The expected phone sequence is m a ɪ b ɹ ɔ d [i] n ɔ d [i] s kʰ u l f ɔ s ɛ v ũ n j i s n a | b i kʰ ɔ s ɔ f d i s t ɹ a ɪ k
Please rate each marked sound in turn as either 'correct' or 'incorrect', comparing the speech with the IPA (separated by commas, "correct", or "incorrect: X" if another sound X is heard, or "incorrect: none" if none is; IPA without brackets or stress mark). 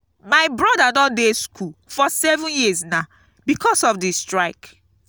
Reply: incorrect: a, incorrect: e